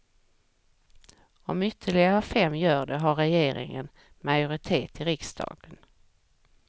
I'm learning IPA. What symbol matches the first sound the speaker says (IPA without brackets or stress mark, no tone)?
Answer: ɔ